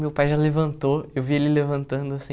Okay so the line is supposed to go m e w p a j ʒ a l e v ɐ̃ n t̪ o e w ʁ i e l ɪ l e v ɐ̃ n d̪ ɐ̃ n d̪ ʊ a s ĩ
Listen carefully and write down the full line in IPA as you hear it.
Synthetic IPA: m e w p a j ʒ a l e v ɐ̃ n t̪ o e w v i e l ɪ l e v ɐ̃ n t̪ ɐ̃ n d̪ ʊ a s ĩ